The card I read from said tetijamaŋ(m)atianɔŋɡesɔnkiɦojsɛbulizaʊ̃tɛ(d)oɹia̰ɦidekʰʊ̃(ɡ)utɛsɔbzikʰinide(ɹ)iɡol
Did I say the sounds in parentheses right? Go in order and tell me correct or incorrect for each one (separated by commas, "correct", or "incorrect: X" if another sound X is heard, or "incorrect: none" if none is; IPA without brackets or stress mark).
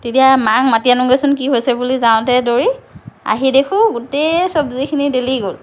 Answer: correct, correct, correct, incorrect: l